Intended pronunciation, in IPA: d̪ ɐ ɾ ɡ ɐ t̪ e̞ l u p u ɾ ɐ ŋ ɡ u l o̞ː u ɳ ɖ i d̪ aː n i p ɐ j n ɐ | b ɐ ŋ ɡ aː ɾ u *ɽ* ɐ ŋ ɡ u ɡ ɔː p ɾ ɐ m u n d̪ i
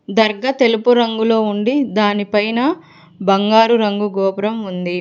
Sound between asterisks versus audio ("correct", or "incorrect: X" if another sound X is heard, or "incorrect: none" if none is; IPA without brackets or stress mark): incorrect: ɾ